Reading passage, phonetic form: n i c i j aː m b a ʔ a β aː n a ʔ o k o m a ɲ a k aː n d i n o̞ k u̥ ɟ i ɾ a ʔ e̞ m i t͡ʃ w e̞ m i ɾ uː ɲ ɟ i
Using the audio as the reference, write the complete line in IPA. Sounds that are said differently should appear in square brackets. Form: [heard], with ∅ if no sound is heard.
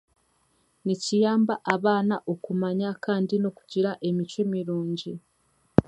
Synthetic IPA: n i c i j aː m b a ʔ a β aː n a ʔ o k [u] m a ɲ a k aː n d i n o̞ k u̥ ɟ i ɾ a ʔ e̞ m i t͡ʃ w e̞ m i ɾ uː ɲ ɟ i

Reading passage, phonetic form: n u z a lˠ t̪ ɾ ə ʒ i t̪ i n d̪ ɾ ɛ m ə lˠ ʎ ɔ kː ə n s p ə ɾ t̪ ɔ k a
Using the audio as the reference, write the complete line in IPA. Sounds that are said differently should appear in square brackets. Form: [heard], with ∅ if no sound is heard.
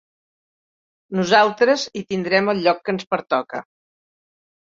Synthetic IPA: n u z a lˠ t̪ ɾ ə [z] i t̪ i n d̪ ɾ ɛ m ə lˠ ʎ ɔ kː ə n s p ə ɾ t̪ ɔ k [ə]

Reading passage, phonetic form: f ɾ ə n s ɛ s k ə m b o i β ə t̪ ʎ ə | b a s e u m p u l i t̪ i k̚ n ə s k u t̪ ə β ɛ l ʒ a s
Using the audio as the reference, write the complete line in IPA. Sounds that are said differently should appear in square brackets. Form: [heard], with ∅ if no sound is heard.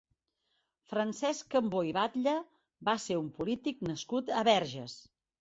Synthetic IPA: f ɾ ə n s ɛ s k ə m b o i β [a] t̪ ʎ ə | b a s e u m p u l i t̪ i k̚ n ə s k u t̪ ə β ɛ [ɾ] ʒ [ə] s

